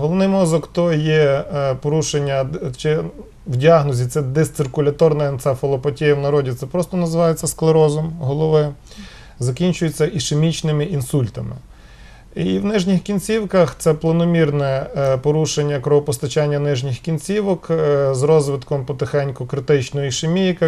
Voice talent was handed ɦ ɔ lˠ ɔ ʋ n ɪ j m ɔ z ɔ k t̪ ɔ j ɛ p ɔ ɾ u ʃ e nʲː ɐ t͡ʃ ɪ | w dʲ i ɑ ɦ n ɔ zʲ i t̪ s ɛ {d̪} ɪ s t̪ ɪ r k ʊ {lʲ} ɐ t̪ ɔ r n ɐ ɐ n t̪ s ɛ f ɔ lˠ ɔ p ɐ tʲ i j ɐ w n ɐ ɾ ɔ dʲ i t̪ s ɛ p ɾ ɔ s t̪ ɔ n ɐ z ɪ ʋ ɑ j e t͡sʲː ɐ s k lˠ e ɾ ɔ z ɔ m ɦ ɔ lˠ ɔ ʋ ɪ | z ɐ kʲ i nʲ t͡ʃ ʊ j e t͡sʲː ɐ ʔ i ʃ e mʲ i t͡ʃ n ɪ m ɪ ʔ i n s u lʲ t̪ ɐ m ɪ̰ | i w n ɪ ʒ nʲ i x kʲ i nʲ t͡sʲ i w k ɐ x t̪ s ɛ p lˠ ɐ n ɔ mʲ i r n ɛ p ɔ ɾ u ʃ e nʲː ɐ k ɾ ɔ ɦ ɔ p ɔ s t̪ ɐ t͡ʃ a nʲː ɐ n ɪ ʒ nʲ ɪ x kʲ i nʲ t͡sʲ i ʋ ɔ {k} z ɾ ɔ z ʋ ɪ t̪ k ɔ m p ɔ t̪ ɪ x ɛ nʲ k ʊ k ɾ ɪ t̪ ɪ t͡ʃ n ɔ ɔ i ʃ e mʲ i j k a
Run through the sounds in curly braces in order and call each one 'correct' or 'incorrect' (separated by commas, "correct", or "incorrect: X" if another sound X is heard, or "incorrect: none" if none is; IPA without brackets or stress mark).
correct, correct, correct